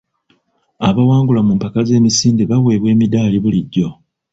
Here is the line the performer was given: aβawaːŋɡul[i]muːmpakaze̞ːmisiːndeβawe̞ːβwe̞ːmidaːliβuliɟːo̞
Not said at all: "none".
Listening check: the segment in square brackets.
a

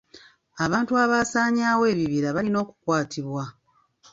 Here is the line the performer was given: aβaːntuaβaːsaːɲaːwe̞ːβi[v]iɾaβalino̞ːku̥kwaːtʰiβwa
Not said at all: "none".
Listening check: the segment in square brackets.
β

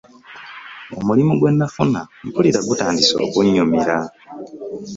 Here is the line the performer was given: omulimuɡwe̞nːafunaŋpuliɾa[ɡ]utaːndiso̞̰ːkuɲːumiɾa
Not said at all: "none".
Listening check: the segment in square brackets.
ɡ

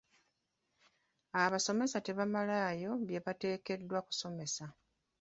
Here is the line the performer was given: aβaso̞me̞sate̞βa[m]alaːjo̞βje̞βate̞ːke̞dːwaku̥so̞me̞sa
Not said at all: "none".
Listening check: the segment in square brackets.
m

